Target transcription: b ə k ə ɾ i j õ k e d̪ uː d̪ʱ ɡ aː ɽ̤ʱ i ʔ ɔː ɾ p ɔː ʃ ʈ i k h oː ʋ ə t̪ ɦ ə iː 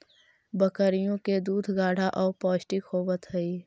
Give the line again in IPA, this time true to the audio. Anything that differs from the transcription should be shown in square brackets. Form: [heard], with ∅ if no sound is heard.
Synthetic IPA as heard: b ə k ə ɾ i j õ k e d̪ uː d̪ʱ ɡ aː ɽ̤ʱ [a] ʔ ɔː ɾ p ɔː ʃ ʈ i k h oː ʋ ə t̪ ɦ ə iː